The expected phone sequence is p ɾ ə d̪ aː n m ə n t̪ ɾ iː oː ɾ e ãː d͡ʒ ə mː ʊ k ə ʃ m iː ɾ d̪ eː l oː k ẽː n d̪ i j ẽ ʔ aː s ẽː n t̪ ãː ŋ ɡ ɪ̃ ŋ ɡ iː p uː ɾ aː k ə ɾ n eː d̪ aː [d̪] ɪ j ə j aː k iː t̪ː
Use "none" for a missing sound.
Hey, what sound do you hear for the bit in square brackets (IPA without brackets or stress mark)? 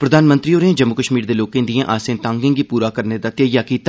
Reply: t̪